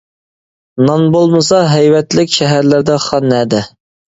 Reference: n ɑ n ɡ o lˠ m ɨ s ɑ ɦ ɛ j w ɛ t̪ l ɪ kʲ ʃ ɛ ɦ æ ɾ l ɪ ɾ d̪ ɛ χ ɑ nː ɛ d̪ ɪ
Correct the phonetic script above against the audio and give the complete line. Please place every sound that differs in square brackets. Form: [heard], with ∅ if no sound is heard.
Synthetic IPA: n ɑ n [b] o lˠ m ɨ s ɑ ɦ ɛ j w ɛ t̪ l ɪ kʲ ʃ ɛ ɦ æ ɾ l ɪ ɾ d̪ ɛ χ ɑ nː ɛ d̪ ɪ